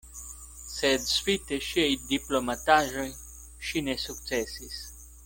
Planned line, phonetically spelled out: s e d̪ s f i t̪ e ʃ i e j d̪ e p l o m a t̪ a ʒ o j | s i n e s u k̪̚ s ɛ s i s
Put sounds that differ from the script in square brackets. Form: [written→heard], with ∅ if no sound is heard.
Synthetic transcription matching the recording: s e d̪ s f i t̪ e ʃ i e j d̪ [e→i] p l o m a t̪ a ʒ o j | [s→ʃ] i n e s u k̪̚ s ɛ s i s